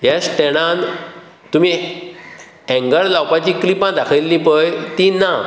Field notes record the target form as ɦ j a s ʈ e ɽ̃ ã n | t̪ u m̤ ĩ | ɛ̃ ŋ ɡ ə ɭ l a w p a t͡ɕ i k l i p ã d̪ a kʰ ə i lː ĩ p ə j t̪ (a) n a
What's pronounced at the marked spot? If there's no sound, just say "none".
i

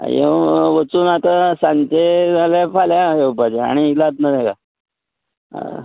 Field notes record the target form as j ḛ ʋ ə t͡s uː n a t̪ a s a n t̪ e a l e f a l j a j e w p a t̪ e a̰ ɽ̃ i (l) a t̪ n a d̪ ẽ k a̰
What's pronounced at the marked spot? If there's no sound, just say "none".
l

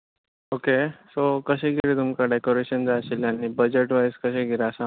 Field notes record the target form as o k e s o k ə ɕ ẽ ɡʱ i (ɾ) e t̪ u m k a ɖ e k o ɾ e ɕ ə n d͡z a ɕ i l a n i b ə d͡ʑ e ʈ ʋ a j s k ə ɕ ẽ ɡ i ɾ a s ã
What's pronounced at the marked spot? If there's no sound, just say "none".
ɾ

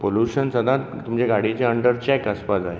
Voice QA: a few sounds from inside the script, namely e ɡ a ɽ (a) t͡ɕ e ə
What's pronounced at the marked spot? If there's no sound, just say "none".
i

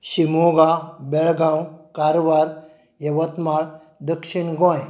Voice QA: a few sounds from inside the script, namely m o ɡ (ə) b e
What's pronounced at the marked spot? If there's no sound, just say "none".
a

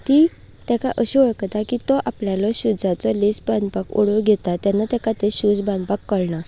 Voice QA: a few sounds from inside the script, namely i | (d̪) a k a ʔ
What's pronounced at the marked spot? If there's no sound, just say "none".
t̪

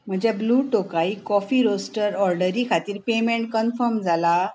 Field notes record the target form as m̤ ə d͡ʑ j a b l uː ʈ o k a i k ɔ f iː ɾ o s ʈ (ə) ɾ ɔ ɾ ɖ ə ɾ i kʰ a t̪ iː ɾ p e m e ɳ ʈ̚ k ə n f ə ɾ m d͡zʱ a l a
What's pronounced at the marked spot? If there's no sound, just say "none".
ə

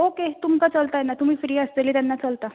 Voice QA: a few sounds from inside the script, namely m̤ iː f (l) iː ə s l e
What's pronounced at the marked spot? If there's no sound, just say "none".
ɾ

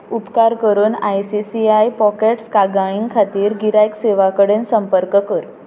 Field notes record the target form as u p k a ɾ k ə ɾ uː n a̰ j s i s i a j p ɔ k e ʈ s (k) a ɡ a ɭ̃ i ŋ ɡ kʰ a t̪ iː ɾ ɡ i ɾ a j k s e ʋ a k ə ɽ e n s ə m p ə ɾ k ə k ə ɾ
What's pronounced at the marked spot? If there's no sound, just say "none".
k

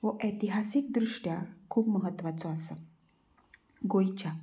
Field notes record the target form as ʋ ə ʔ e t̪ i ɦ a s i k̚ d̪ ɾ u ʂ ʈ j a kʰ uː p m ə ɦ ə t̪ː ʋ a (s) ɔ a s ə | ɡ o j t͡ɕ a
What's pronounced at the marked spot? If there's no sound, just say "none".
t͡s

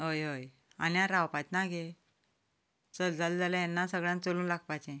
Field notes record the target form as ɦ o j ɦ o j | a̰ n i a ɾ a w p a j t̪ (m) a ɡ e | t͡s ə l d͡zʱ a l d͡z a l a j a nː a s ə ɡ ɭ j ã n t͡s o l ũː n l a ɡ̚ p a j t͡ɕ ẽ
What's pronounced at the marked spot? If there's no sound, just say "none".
n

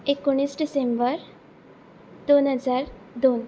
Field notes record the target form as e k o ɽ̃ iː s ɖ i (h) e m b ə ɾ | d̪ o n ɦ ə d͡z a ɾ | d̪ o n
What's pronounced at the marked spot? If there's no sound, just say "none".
s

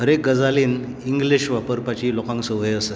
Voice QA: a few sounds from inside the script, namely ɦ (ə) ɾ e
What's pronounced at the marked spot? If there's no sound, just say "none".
ə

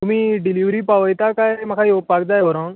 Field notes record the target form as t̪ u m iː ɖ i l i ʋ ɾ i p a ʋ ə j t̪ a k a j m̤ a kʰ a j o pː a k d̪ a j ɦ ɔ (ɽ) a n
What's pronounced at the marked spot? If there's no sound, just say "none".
ɾ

